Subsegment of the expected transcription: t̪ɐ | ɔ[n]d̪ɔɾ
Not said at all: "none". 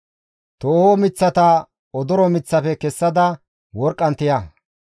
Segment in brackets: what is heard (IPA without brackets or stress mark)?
none